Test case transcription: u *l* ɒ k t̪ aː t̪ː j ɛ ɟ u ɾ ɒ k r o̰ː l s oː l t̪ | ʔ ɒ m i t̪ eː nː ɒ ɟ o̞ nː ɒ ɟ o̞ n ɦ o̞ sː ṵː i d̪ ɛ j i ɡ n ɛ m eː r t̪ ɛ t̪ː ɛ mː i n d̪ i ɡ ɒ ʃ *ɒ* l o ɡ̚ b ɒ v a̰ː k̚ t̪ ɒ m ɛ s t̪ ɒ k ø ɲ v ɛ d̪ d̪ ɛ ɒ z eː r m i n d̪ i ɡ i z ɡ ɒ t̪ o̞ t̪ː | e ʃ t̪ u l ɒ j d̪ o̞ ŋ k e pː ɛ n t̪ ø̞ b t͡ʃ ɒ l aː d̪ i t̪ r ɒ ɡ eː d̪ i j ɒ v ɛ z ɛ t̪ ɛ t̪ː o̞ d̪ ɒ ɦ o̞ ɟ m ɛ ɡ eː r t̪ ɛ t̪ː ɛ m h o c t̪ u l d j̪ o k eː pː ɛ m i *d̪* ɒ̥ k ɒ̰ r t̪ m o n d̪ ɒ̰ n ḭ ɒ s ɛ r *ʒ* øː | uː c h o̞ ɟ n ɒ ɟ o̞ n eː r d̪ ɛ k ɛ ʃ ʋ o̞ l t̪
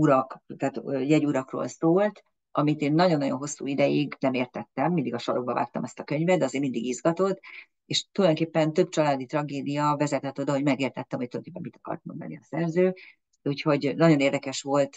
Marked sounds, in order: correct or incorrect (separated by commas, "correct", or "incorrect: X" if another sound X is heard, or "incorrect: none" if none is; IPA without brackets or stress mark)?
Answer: incorrect: ɾ, correct, incorrect: t̪, incorrect: z